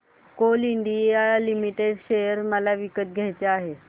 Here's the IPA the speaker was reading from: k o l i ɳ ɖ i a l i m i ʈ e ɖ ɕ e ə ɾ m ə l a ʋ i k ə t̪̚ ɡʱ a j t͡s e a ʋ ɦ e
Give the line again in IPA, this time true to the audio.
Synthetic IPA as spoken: k o l i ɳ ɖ i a l i m i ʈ e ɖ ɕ e ə ɾ m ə l a ʋ i k ə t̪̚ ɡʱ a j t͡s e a ɦ e